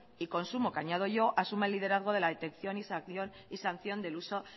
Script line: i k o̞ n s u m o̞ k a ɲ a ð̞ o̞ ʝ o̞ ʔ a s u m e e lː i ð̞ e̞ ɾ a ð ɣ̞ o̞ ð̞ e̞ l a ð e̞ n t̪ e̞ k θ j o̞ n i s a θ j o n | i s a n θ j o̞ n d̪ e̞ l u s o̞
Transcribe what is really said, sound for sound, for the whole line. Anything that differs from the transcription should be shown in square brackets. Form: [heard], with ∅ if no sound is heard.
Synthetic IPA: i k o̞ n s u m o̞ k a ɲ a ð̞ o̞ ʝ o̞ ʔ a s u m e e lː i ð̞ e̞ ɾ a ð ɣ̞ o̞ ð̞ e̞ l a ð e̞ [∅] t̪ e̞ k θ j o̞ n i s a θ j o n | i s a n θ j o̞ n d̪ e̞ l u s o̞